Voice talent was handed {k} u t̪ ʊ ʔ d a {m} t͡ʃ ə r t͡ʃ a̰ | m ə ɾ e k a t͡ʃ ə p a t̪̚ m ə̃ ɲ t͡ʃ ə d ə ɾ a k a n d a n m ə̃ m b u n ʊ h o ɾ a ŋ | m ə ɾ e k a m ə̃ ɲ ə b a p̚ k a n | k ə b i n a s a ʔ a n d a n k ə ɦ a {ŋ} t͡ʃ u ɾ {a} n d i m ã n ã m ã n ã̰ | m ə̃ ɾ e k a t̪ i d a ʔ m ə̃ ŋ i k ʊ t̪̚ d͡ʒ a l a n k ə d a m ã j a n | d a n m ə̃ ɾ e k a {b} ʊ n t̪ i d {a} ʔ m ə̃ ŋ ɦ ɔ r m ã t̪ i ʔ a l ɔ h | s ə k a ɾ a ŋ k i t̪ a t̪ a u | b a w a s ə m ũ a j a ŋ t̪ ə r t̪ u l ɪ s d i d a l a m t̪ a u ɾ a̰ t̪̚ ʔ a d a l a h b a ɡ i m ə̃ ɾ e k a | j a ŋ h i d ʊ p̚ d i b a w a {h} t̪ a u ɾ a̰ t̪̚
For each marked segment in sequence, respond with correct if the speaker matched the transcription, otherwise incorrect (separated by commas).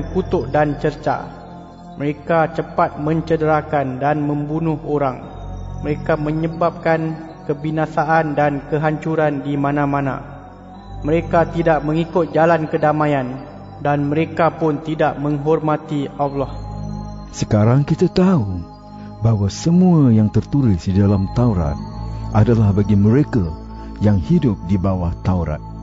correct, incorrect, incorrect, correct, incorrect, correct, correct